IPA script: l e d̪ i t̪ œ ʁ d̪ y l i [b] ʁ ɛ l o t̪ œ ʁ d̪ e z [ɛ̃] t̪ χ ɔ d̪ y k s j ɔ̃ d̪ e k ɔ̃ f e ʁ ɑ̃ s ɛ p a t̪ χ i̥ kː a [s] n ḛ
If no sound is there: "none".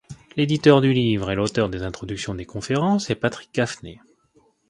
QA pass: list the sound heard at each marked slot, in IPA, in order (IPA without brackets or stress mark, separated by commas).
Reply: v, ɛ̃, f